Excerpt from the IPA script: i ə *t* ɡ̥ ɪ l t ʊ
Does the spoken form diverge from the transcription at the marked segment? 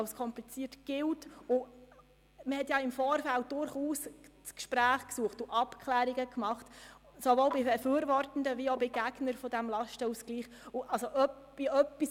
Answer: no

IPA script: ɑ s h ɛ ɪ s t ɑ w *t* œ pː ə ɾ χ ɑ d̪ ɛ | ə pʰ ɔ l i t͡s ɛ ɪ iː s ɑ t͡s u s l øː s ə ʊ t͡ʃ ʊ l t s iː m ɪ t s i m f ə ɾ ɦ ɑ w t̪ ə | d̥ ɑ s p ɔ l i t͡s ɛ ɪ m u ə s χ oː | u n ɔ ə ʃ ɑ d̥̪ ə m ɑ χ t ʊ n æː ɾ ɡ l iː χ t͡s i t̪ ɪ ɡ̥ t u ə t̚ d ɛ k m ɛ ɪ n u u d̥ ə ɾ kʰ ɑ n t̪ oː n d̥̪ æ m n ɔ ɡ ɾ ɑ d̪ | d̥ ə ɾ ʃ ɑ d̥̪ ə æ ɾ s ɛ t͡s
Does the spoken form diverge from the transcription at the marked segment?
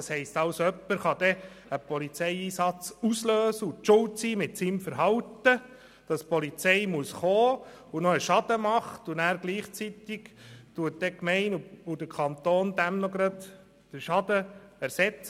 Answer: yes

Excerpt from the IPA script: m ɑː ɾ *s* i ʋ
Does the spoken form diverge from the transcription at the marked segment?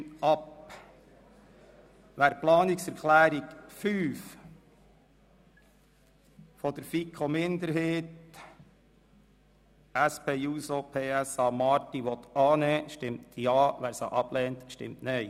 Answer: yes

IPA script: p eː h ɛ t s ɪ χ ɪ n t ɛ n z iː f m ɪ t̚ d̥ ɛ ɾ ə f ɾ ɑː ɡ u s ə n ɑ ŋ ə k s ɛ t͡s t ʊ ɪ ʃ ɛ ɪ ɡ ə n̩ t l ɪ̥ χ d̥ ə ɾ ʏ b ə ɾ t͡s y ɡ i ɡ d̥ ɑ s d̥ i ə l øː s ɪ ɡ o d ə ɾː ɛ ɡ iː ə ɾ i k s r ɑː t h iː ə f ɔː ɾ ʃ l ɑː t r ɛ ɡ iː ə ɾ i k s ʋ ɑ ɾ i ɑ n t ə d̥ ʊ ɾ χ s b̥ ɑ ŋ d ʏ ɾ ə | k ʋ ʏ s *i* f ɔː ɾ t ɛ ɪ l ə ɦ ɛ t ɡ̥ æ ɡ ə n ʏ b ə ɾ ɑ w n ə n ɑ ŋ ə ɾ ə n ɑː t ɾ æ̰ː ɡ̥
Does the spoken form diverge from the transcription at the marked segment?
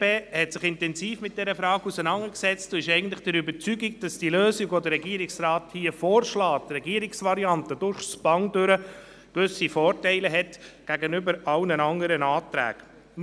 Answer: no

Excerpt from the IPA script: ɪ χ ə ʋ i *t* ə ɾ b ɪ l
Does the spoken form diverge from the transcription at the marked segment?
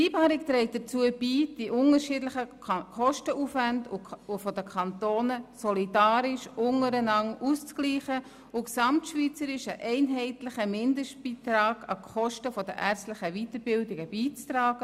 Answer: no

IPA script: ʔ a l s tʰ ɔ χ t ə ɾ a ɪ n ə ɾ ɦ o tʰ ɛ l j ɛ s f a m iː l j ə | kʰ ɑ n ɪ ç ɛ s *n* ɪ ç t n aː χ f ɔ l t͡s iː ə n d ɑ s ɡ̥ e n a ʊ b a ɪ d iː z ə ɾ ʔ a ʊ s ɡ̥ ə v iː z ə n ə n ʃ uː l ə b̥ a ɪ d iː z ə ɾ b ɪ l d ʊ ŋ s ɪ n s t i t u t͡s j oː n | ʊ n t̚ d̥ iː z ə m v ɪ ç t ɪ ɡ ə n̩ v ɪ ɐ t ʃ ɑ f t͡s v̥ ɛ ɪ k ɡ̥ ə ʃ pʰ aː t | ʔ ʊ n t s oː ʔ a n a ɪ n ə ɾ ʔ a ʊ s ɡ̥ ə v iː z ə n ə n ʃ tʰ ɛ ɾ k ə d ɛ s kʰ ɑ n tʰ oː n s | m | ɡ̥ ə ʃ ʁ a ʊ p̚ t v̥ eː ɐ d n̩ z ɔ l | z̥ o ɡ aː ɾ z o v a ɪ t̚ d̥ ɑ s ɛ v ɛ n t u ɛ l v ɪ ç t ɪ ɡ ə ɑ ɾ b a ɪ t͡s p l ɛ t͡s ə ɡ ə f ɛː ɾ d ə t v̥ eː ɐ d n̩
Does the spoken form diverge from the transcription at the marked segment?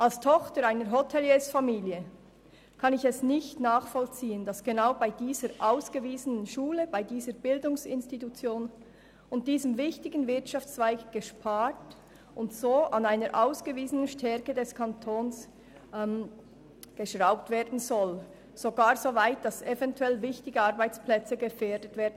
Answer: no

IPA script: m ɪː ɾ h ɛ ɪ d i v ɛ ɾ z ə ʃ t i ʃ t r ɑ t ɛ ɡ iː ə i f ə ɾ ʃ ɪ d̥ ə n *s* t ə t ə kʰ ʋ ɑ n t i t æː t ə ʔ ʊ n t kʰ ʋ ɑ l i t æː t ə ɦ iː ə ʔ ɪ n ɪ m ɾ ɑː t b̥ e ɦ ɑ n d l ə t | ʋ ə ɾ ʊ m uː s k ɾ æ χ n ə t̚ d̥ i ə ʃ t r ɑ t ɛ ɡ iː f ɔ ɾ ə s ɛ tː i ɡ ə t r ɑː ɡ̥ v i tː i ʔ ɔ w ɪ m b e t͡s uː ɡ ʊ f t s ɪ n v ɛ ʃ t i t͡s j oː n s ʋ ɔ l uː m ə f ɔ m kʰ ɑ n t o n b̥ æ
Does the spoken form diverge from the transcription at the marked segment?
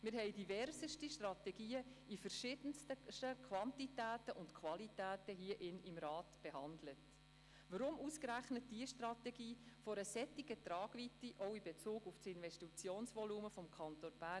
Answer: no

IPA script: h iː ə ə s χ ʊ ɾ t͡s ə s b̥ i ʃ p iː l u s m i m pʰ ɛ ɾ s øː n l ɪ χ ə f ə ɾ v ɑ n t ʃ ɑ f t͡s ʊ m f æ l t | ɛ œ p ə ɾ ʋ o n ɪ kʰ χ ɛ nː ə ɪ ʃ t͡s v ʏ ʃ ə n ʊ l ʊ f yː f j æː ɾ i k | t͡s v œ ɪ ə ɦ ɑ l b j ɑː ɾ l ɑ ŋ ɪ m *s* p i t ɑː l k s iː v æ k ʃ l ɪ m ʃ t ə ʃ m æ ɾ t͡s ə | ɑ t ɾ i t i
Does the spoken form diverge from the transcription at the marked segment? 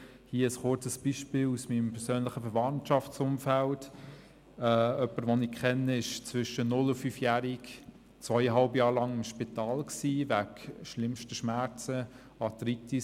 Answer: yes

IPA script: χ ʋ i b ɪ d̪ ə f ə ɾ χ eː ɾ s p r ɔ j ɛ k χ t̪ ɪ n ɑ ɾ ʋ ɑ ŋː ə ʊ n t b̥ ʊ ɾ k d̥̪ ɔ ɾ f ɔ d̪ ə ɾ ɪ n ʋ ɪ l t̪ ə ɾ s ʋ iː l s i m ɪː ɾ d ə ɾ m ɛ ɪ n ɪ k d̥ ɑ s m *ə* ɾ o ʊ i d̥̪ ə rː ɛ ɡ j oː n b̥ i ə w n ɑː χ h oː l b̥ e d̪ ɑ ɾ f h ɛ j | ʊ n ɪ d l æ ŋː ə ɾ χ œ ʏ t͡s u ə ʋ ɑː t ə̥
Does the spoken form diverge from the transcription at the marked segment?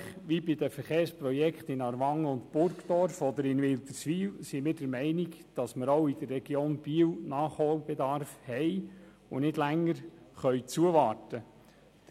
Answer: no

